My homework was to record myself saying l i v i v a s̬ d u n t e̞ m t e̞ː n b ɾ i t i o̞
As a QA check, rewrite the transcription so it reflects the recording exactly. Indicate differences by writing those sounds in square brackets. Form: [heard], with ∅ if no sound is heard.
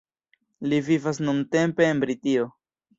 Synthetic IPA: l i v i v a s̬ [n] u n t e̞ m [p] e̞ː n b ɾ i t i o̞